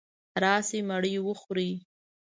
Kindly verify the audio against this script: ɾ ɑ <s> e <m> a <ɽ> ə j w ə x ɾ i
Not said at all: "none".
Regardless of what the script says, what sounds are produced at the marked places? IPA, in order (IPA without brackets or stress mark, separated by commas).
s, m, ɽ